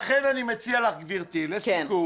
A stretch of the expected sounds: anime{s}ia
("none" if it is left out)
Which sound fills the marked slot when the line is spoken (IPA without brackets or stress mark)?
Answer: t͡s